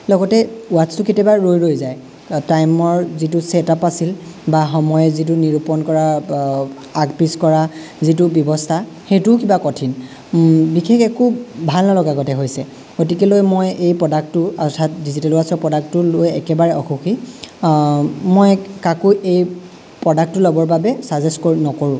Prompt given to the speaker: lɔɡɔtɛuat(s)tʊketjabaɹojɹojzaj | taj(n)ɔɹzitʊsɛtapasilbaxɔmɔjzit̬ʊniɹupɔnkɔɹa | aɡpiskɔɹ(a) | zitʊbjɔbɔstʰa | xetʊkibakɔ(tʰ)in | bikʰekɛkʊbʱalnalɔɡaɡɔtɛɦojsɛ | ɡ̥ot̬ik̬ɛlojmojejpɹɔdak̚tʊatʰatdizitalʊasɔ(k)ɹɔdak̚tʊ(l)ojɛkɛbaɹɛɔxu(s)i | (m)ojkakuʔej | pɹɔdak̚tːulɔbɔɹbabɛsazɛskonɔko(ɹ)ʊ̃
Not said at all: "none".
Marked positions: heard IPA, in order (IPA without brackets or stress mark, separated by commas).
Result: s, m, a, tʰ, p, l, x, m, ɹ